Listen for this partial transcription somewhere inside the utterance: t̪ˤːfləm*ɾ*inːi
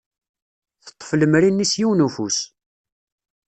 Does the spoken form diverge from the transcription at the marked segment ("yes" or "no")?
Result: no